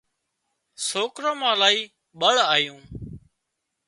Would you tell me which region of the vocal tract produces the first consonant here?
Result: tongue tip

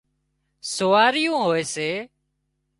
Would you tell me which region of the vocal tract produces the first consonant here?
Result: tongue tip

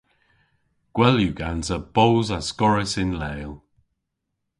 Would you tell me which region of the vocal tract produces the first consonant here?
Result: velum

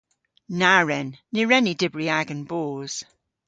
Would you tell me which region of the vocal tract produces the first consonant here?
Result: tongue tip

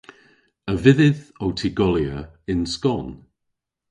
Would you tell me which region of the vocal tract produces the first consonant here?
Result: lips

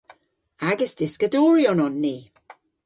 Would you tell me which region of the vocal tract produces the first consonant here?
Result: velum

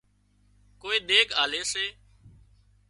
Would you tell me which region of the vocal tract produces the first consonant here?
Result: velum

